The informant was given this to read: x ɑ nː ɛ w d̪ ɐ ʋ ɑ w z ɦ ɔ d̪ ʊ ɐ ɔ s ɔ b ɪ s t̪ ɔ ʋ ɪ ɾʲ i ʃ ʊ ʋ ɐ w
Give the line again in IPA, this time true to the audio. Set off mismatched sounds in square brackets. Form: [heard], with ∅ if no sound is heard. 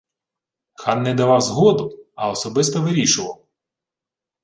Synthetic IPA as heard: x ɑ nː ɛ [∅] d̪ ɐ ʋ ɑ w z ɦ ɔ d̪ ʊ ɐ ɔ s ɔ b ɪ s t̪ ɔ ʋ ɪ ɾʲ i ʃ ʊ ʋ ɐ w